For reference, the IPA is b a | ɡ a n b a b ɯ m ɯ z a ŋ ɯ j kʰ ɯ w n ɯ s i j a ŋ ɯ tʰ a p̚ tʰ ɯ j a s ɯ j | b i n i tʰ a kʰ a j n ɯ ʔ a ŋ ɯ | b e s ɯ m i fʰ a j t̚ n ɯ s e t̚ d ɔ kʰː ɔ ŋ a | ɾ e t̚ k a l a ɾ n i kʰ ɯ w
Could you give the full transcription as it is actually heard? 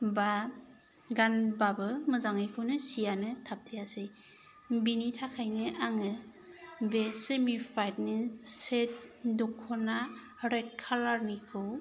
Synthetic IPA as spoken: b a | ɡ a n b a b ɯ m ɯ z a ŋ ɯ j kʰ ɯ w n ɯ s i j a n ɯ tʰ a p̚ tʰ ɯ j a s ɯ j | b i n i tʰ a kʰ a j n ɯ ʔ a ŋ ɯ | b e s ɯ m i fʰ a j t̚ n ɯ s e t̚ d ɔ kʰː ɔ n a | ɾ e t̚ kʰ a l a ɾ n i kʰ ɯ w

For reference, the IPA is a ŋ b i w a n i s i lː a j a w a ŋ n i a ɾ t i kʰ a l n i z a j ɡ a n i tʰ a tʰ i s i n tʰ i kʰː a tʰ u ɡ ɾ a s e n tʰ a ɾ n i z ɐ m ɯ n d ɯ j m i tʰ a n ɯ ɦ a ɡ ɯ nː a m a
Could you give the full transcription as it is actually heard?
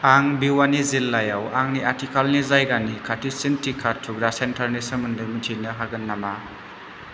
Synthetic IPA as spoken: a ŋ b i w a n i z i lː a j a w a ŋ n i a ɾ t i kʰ a l n i z a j ɡ a n i kʰ a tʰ i s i n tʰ i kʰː a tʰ u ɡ ɾ a s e n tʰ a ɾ n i s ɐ m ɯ n d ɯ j m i tʰ i n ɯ ɦ a ɡ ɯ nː a m a

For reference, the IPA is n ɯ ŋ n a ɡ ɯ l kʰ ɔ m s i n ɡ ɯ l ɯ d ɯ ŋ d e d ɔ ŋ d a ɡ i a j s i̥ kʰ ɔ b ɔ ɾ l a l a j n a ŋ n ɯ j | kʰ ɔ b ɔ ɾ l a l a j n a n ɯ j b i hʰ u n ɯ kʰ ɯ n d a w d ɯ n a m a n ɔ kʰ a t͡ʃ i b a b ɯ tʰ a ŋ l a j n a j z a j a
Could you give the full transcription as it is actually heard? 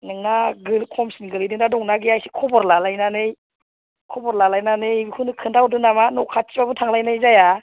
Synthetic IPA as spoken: n ɯ ŋ n a ɡ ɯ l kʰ ɔ m s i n ɡ ɯ l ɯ d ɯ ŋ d a d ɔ ŋ n a ɡ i a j s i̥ kʰ ɔ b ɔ ɾ l a l a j n a n ɯ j | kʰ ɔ b ɔ ɾ l a l a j n a n ɯ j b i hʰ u n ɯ kʰ ɯ n d a w d ɯ n a m a n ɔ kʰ a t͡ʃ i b a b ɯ tʰ a ŋ l a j n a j z a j a

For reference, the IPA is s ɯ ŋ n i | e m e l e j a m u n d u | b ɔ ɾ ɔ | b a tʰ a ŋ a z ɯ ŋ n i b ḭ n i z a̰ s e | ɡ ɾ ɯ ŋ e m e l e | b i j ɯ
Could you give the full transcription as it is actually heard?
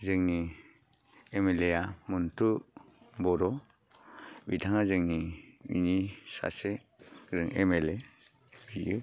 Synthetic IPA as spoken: z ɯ ŋ n i | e m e l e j a m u n t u | b ɔ ɾ ɔ | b i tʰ a ŋ a z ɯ ŋ n i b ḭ n i s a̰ s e | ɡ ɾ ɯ ŋ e m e l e | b i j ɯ

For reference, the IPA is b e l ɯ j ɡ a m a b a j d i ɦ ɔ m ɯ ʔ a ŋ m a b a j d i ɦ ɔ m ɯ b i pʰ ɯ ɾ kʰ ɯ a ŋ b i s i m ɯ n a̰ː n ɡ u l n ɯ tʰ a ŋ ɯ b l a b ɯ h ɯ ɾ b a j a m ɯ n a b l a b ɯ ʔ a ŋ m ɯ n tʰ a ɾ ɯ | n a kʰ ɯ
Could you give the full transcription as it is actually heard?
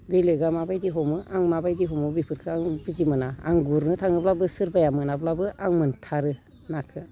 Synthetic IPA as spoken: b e l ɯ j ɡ a m a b a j d i ɦ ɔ m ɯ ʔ a ŋ m a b a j d i ɦ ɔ m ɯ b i pʰ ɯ ɾ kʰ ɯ a ŋ b i z i m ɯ n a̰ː ŋ ɡ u ɾ n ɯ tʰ a ŋ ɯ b l a b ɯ s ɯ ɾ b a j a m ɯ n a b l a b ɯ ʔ a ŋ m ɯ n tʰ a ɾ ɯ | n a kʰ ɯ

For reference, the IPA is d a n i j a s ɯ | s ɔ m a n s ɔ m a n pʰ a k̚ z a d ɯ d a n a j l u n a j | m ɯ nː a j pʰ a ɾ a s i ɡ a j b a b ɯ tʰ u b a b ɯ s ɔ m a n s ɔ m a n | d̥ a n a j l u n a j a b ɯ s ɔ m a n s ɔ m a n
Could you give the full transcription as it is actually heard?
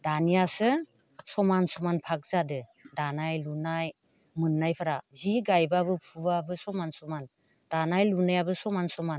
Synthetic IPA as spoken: d a n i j a s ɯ | s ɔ m a n s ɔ m a n pʰ a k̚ z a d ɯ d a n a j l u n a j | m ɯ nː a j pʰ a ɾ a z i ɡ a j b a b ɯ pʰ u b a b ɯ s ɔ m a n s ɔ m a n | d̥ a n a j l u n a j a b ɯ s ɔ m a n s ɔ m a n

